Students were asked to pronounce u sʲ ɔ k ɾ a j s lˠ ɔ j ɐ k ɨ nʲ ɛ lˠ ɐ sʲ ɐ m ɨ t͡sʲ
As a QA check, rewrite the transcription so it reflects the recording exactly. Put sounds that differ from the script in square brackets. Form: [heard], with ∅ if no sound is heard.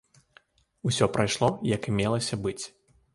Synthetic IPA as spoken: u sʲ ɔ [p] ɾ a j [ʂ] lˠ ɔ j ɐ k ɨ [mʲ] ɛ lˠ ɐ sʲ ɐ [b] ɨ t͡sʲ